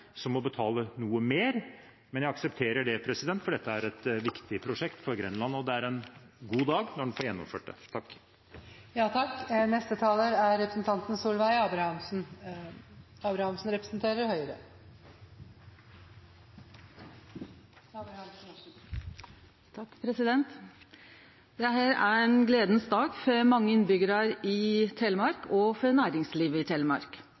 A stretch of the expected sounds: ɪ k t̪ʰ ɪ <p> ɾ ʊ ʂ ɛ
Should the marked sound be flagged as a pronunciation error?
yes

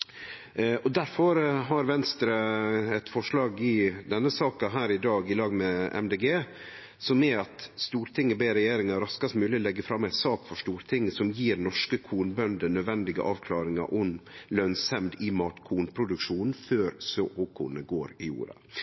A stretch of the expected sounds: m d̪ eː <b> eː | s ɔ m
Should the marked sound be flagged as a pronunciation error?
yes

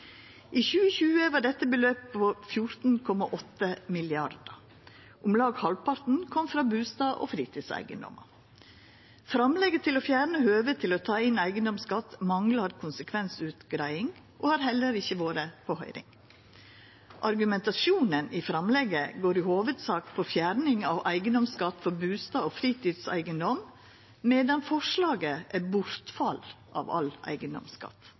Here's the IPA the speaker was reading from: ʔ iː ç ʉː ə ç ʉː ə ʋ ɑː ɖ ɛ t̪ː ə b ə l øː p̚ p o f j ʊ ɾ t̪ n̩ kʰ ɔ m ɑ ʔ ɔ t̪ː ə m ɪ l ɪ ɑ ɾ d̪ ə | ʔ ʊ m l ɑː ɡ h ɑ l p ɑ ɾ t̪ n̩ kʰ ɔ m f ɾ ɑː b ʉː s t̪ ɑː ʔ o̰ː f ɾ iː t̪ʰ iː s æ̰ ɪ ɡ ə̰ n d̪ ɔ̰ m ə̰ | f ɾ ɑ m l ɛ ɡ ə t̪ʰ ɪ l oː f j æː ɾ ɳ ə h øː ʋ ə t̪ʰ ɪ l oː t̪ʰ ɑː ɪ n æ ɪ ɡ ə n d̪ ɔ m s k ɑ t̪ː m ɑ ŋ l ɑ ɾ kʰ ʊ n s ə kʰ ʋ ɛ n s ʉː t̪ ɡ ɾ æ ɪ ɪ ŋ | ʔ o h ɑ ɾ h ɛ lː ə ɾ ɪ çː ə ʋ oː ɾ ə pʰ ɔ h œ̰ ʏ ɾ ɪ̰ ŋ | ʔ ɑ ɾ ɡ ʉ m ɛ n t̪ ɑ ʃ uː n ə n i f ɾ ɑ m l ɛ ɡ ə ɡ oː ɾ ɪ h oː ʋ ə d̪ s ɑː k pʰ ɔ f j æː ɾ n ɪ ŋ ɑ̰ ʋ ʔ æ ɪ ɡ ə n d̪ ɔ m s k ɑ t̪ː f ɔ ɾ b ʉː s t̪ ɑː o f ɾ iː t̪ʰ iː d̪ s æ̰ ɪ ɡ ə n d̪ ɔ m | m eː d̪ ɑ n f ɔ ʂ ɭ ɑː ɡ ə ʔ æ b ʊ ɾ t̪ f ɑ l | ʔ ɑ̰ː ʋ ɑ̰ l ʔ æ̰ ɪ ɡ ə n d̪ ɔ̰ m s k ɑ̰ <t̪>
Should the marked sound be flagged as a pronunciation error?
no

